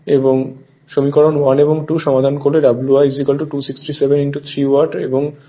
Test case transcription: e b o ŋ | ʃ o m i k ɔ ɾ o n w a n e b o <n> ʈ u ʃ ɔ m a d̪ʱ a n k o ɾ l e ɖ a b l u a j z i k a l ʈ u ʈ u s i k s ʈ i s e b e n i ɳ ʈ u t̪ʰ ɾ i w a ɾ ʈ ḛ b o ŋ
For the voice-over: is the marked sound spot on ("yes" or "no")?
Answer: no